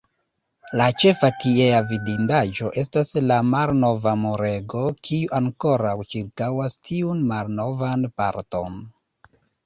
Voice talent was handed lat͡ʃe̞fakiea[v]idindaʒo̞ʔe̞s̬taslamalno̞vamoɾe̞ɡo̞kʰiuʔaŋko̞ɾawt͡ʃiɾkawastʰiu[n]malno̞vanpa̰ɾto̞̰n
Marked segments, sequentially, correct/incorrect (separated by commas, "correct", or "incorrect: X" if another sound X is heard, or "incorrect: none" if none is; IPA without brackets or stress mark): correct, correct